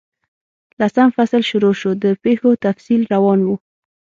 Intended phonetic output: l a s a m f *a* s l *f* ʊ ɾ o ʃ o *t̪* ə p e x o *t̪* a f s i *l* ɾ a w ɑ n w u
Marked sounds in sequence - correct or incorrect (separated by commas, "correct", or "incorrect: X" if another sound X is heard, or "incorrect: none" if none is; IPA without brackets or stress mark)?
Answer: correct, incorrect: ʃ, incorrect: d̪, correct, correct